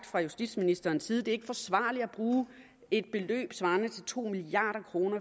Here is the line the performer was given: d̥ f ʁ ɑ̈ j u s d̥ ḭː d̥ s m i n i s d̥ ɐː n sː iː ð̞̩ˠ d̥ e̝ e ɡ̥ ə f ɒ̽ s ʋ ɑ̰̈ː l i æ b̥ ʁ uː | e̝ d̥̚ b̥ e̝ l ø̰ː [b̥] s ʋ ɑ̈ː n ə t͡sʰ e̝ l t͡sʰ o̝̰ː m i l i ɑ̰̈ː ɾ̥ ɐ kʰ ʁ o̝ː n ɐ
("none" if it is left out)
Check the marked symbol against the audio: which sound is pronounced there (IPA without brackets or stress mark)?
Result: b̥